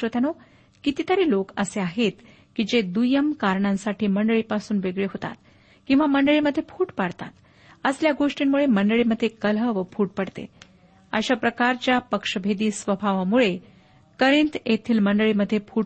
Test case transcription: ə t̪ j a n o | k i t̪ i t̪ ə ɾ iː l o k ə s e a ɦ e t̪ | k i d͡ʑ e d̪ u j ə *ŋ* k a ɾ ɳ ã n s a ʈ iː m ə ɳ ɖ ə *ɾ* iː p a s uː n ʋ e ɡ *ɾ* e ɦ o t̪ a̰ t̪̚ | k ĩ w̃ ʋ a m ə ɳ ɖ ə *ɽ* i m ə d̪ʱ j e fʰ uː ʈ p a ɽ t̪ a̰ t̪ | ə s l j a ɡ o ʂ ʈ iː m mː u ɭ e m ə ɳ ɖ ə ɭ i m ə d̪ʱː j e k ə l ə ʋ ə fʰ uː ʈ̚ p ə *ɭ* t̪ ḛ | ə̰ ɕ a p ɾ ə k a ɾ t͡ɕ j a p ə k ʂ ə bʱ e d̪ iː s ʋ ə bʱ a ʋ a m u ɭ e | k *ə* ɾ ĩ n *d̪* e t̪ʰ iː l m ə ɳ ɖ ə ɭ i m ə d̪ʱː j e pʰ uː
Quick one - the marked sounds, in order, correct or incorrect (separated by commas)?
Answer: incorrect, incorrect, incorrect, incorrect, incorrect, correct, incorrect